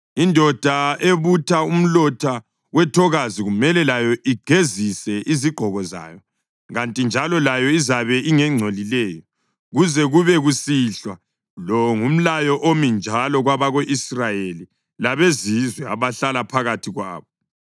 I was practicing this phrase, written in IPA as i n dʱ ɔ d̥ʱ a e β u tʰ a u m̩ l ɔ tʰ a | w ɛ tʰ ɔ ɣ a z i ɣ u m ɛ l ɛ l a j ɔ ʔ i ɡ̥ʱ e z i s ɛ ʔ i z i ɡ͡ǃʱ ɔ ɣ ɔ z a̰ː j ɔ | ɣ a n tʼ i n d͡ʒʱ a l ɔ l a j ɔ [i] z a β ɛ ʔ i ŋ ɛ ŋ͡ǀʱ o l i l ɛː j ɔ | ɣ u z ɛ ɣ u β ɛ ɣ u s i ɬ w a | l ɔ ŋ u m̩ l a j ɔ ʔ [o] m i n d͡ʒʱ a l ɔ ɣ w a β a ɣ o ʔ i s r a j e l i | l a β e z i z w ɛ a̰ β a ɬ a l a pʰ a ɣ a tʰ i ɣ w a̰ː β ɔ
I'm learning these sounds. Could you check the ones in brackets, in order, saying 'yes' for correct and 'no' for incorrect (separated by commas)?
yes, yes